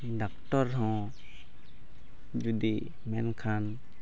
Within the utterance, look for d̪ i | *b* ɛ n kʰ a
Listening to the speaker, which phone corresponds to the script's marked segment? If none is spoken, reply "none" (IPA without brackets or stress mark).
m